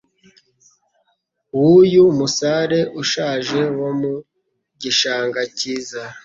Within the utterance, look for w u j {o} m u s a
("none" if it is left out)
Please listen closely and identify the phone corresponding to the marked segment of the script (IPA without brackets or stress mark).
u